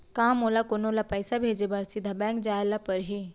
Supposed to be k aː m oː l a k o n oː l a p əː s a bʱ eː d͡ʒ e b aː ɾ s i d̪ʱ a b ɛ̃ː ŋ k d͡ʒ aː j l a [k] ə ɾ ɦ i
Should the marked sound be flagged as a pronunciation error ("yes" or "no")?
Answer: yes